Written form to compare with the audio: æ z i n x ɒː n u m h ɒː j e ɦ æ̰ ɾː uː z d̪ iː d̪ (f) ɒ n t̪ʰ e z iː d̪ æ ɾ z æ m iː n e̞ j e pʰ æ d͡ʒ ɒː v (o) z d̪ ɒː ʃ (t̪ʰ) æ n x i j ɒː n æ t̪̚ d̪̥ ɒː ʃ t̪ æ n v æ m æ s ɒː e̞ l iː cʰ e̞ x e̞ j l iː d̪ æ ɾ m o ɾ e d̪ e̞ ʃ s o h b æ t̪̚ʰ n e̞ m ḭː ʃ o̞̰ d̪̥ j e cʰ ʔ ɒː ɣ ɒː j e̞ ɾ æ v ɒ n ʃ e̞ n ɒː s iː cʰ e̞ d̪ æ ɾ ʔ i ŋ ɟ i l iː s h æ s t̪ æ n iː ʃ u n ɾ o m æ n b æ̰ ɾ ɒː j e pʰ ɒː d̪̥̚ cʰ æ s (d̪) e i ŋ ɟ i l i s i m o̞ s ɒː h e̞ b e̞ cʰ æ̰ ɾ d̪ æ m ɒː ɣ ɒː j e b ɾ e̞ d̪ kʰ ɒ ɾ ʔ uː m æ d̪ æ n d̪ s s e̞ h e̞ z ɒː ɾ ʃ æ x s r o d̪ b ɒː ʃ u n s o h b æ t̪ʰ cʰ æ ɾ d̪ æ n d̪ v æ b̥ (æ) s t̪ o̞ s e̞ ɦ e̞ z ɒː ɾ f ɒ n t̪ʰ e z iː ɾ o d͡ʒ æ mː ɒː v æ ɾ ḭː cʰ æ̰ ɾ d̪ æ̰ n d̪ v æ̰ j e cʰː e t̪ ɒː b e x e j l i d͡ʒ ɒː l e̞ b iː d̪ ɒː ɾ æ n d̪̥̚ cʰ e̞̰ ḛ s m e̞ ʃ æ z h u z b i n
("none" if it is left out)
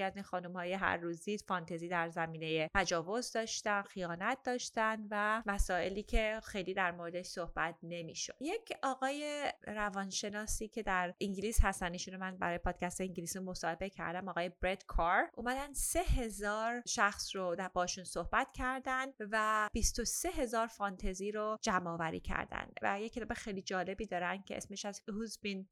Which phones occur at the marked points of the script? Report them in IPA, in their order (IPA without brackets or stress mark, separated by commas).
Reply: f, o, t̪, t̪, i